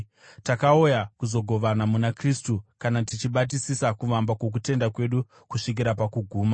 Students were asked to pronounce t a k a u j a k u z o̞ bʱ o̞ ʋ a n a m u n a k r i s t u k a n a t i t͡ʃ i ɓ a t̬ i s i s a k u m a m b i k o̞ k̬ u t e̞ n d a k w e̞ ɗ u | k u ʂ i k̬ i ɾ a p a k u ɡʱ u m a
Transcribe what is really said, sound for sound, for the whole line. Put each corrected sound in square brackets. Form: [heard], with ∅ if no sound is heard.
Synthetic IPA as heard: t a k a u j a k u z o̞ [ɡʱ] o̞ ʋ a n a m u n a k r i s t u k a n a t i t͡ʃ i ɓ a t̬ i s i s a k u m a m b [a] k o̞ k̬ u t e̞ n d a k w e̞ ɗ u | k u ʂ i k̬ i ɾ a p a k u ɡʱ [uː] m a